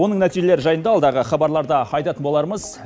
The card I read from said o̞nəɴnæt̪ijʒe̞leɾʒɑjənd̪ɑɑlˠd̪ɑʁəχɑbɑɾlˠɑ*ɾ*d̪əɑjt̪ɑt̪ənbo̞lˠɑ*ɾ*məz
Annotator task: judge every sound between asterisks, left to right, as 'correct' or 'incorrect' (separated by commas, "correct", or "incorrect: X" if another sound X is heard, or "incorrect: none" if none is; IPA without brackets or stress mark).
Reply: correct, correct